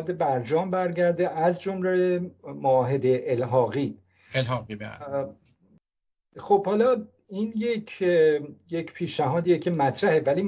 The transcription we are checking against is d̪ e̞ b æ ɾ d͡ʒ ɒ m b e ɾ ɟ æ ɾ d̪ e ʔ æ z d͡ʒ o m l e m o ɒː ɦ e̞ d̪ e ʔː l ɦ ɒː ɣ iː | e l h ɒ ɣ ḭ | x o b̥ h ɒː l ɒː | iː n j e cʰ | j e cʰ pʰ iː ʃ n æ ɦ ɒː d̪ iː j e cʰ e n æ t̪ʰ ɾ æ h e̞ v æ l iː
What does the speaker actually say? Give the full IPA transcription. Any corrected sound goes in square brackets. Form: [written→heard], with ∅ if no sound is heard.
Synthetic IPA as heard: d̪ e̞ b æ ɾ d͡ʒ [ɒ→ɒː] m b [e→æ] ɾ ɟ æ ɾ d̪ e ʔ æ z d͡ʒ o m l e m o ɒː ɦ e̞ d̪ e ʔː l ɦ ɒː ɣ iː | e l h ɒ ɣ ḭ | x o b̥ h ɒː l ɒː | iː n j e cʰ | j e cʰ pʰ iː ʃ n æ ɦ ɒː d̪ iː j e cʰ e [n→m] æ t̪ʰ ɾ æ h e̞ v æ l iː